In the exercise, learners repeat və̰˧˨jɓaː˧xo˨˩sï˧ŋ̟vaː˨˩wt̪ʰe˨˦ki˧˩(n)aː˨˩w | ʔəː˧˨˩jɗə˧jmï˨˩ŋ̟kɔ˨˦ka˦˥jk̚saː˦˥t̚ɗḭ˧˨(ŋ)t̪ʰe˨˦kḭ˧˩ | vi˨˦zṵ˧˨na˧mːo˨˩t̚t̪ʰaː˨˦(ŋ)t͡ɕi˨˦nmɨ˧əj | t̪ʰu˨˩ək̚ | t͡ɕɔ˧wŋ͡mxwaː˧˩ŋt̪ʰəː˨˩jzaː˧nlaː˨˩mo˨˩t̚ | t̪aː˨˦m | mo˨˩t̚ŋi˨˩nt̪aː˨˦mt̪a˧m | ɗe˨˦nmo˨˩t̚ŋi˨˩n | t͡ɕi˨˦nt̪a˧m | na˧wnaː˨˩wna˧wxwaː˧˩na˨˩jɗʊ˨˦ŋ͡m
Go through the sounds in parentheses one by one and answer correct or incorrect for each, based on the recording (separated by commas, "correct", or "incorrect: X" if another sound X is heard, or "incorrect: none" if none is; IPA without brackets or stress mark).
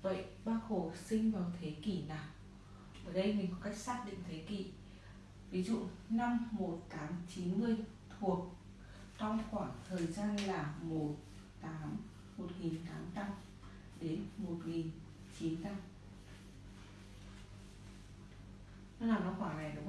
correct, correct, incorrect: m